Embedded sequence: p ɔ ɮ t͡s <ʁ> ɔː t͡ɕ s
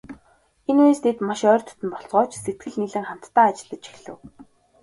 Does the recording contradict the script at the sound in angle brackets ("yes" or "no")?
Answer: no